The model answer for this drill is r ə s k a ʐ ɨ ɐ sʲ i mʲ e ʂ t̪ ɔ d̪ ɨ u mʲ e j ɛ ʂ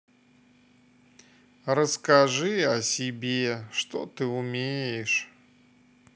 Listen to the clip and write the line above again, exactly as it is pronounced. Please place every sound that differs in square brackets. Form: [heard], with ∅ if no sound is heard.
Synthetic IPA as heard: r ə s k a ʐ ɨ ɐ sʲ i [bʲ] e ʂ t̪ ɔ [t̪] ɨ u mʲ e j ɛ ʂ